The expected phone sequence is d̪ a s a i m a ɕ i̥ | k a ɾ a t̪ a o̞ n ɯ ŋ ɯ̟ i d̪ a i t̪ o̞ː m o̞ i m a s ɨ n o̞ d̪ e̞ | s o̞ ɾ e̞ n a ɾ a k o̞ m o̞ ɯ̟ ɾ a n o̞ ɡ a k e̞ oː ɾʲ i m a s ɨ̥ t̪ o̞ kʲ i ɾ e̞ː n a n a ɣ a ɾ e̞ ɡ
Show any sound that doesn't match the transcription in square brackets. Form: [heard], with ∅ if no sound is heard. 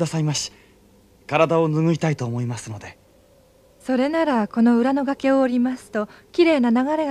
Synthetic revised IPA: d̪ a s a i m a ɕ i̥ | k a ɾ a [d̪] a o̞ n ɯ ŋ ɯ̟ i [t̪] a i t̪ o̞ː m o̞ i m a s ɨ n o̞ d̪ e̞ | s o̞ ɾ e̞ n a ɾ a k o̞ [n] o̞ ɯ̟ ɾ a n o̞ ɡ a k e̞ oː ɾʲ i m a s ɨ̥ t̪ o̞ kʲ i ɾ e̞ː n a n a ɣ a ɾ e̞ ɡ

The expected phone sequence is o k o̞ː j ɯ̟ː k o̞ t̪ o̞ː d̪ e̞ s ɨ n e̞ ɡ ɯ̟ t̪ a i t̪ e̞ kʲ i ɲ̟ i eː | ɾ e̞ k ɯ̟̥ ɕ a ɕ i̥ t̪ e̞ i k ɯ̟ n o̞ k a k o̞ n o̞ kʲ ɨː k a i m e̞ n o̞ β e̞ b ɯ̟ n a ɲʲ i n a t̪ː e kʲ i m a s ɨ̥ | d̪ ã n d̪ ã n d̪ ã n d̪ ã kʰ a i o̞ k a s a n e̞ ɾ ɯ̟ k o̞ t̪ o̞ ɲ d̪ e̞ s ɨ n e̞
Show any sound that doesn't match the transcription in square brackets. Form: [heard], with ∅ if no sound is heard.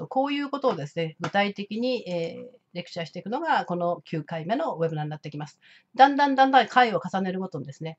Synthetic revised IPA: o k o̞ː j ɯ̟ː k o̞ t̪ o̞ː d̪ e̞ s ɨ n e̞ ɡ ɯ̟ t̪ a i t̪ e̞ kʲ i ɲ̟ i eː | ɾ e̞ k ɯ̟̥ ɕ a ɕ i̥ t̪ e̞ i k ɯ̟ n o̞ [ɡ] a k o̞ n o̞ kʲ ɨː k a i m e̞ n o̞ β e̞ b ɯ̟ n a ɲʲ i n a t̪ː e kʲ i m a s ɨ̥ | d̪ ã n d̪ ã n d̪ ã n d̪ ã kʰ a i o̞ k a s a n e̞ ɾ ɯ̟ k o̞ t̪ o̞ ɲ d̪ e̞ s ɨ n e̞

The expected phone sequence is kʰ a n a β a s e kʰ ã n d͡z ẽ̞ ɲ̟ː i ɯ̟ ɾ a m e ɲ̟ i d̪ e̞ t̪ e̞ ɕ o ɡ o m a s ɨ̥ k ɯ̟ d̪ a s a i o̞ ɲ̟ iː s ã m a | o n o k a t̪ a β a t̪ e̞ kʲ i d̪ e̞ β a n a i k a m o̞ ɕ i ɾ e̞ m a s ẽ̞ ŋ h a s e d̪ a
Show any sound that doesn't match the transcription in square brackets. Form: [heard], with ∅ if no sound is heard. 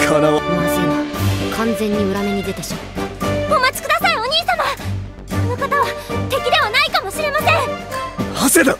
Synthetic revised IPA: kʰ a n a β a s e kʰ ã n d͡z ẽ̞ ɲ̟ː i ɯ̟ ɾ a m e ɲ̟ i d̪ e̞ t̪ e̞ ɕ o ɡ o m a [t͡s] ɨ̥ k ɯ̟ d̪ a s a i o̞ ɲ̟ iː s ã m a | o n o k a t̪ a β a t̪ e̞ kʲ i d̪ e̞ β a n a i k a m o̞ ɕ i ɾ e̞ m a s ẽ̞ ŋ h a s e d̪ a

